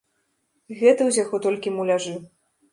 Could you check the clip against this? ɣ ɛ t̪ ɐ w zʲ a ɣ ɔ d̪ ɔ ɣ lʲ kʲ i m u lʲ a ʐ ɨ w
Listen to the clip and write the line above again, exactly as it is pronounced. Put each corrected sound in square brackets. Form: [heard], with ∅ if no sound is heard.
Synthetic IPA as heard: ɣ ɛ t̪ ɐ w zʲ a ɣ ɔ [t̪] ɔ [∅] lʲ kʲ i m u lʲ a ʐ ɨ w

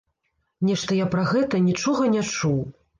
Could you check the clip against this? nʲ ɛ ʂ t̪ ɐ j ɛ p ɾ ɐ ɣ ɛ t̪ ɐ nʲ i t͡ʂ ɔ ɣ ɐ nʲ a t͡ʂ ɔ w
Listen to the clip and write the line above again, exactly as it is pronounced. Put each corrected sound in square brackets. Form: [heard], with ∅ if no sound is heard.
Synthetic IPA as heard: nʲ ɛ ʂ t̪ ɐ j [a] p ɾ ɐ ɣ ɛ t̪ ɐ nʲ i t͡ʂ ɔ ɣ ɐ nʲ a t͡ʂ [u] w

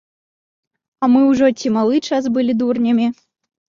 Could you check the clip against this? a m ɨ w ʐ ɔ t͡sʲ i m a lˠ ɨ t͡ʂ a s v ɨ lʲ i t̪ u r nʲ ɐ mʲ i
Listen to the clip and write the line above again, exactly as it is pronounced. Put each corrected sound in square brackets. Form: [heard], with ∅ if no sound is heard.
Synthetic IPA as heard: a m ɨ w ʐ ɔ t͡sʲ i m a lˠ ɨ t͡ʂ a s [b] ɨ lʲ i [d̪] u r nʲ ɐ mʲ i

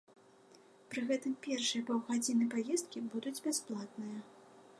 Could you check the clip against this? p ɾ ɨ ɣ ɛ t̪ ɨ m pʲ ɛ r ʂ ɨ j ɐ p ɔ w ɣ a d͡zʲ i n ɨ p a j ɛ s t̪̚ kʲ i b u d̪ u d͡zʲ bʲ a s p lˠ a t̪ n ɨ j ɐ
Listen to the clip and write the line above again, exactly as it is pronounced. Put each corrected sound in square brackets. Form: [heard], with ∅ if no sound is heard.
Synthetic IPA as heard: p ɾ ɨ ɣ ɛ t̪ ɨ m pʲ ɛ r ʂ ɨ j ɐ p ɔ w ɣ a d͡zʲ i n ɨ p a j ɛ s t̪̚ kʲ i b u d̪ u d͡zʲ bʲ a s p lˠ a t̪ n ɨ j ɐ

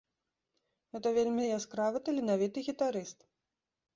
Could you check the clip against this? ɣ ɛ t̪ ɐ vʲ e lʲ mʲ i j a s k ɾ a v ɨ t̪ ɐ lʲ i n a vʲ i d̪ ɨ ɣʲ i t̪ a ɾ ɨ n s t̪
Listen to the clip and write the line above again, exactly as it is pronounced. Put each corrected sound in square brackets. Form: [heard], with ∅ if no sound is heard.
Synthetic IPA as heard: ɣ ɛ t̪ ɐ vʲ e lʲ mʲ i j a s k ɾ a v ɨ t̪ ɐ lʲ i n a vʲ i [t̪] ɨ ɣʲ i t̪ a ɾ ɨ [∅] s t̪

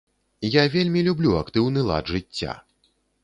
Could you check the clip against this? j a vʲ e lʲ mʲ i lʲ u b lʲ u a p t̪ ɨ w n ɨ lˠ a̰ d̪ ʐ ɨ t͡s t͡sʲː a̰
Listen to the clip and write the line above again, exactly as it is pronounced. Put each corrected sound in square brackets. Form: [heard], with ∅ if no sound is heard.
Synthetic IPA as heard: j a vʲ e lʲ mʲ i lʲ u b lʲ u a [k] t̪ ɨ w n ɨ lˠ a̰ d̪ ʐ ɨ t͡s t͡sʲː a̰

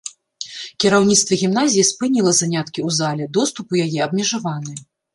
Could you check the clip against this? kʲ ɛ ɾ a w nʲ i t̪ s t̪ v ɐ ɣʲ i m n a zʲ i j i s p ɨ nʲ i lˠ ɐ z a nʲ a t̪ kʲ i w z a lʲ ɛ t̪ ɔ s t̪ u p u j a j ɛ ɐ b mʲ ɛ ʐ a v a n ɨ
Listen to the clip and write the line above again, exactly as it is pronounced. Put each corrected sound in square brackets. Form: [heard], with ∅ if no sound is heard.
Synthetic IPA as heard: kʲ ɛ ɾ a w nʲ i t̪ s t̪ v ɐ ɣʲ i m n a zʲ i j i s p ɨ nʲ i lˠ ɐ z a nʲ a t̪ kʲ i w z a lʲ ɛ [d̪] ɔ s t̪ u p u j a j ɛ ɐ b mʲ ɛ ʐ a v a n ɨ

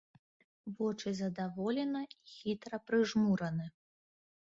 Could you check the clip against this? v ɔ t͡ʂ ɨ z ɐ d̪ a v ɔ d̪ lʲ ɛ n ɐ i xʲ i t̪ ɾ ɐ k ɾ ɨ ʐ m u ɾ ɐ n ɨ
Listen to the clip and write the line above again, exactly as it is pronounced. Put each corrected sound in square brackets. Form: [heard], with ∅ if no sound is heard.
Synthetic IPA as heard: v ɔ t͡ʂ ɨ z ɐ d̪ a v ɔ [∅] lʲ ɛ n ɐ i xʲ i t̪ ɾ ɐ [p] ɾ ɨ ʐ m u ɾ ɐ n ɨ

